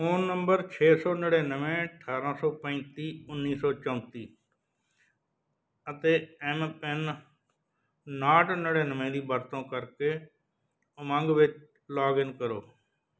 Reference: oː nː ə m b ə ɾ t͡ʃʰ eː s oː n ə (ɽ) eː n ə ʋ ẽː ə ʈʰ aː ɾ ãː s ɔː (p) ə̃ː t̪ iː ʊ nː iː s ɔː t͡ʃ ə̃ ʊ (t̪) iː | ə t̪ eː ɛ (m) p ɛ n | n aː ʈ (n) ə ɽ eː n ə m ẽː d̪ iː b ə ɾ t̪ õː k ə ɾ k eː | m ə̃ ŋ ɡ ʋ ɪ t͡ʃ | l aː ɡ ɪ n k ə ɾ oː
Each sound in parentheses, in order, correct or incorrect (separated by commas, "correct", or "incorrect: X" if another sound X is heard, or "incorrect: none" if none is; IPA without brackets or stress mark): correct, correct, correct, correct, correct